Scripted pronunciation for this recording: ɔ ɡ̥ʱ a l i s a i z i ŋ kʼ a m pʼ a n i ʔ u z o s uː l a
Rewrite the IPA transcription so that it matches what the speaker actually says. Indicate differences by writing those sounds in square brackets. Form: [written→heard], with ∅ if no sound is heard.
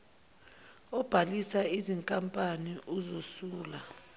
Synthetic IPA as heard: ɔ [ɡ̥ʱ→b̥ʱ] a l i s a i z i ŋ kʼ a m pʼ a n i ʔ u z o s uː l a